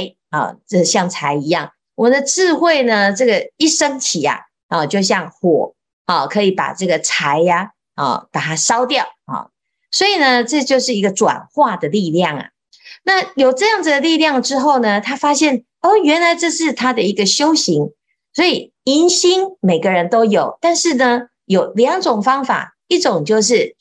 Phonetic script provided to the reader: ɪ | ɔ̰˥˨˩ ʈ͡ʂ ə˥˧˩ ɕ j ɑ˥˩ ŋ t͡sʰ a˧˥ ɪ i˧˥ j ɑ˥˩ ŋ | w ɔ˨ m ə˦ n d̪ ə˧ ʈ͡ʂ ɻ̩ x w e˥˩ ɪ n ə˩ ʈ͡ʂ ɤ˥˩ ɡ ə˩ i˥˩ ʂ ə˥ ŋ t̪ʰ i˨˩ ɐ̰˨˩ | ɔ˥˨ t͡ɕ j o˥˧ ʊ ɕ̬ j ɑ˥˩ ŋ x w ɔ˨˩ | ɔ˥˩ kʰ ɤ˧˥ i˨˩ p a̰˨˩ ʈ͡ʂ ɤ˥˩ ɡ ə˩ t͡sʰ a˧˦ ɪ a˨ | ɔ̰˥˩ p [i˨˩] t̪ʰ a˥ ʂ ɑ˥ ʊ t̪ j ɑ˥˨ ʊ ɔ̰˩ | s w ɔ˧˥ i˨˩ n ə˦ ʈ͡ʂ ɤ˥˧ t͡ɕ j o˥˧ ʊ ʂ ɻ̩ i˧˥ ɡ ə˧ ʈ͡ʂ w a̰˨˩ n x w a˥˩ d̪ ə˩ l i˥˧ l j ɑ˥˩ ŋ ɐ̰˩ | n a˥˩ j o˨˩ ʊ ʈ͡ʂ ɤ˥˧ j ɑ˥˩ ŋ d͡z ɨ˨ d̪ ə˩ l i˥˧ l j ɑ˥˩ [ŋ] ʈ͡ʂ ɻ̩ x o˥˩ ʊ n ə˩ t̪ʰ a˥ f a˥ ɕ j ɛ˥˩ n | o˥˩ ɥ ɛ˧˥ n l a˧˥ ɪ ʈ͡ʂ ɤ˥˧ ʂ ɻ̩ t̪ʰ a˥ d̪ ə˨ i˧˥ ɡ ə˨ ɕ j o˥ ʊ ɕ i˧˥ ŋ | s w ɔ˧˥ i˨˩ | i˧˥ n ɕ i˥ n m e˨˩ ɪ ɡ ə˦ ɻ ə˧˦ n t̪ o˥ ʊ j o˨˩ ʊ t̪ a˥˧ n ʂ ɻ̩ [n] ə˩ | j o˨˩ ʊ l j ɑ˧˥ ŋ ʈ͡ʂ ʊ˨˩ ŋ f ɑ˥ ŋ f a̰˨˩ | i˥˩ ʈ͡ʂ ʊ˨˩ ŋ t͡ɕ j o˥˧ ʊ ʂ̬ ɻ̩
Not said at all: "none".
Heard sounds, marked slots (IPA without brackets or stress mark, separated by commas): a˨˩, ŋ, n